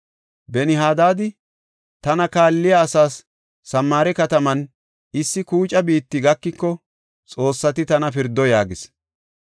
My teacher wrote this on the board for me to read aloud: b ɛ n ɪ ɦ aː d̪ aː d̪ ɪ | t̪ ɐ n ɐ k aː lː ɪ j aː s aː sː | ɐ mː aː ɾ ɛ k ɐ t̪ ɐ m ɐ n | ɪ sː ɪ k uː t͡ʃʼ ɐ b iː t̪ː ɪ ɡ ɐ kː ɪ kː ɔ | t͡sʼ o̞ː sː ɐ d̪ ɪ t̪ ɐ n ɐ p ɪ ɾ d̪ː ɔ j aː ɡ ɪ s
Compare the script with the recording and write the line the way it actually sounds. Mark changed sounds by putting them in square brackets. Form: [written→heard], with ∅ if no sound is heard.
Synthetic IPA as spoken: b ɛ n ɪ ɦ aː d̪ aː d̪ ɪ | t̪ ɐ n ɐ k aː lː ɪ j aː s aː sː | ɐ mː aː ɾ ɛ k ɐ t̪ ɐ m ɐ n | ɪ sː ɪ k uː t͡ʃʼ ɐ b iː t̪ː ɪ ɡ ɐ kː ɪ kː ɔ | t͡sʼ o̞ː sː ɐ [d̪→t̪] ɪ t̪ ɐ n ɐ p ɪ ɾ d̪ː ɔ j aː ɡ ɪ s